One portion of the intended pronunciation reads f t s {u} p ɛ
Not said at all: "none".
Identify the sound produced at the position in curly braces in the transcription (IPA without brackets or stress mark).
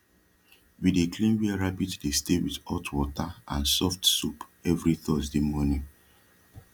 u